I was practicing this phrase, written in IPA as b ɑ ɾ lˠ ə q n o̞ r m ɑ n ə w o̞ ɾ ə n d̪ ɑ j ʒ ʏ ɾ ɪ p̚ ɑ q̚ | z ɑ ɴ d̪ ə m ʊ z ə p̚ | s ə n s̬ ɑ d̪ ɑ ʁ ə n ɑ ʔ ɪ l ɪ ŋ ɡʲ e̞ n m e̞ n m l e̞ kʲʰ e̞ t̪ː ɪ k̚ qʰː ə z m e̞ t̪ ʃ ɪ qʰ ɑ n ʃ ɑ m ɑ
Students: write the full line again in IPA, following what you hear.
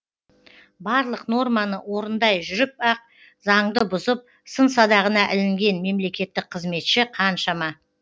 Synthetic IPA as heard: b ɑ ɾ lˠ ə q n o̞ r m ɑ n ə w o̞ ɾ ə n d̪ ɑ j ʒ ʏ ɾ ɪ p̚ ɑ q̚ | z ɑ ɴ d̪ ə b ʊ z ə p̚ | s ə n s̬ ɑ d̪ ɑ ʁ ə n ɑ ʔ ɪ l ɪ ŋ ɡʲ e̞ n m e̞ m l e̞ kʲ e̞ t̪ː ɪ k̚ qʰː ə z m e̞ t̪ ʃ ɪ qʰ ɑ n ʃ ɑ m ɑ